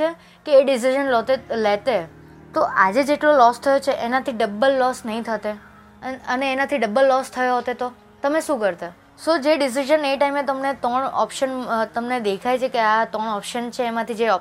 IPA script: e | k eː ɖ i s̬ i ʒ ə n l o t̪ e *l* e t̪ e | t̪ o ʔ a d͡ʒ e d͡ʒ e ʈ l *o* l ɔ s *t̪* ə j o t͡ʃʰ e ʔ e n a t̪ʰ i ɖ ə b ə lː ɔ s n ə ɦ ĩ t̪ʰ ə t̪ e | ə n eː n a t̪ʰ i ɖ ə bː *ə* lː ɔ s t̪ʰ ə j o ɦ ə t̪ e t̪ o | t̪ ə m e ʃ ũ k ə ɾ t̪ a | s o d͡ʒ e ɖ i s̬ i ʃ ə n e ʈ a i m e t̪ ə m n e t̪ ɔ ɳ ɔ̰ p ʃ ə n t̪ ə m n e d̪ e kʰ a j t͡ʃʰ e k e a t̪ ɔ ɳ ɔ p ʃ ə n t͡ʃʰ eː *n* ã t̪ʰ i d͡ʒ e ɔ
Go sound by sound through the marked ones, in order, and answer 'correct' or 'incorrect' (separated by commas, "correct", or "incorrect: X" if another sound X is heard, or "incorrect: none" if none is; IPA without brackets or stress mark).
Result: correct, correct, incorrect: t̪ʰ, correct, incorrect: m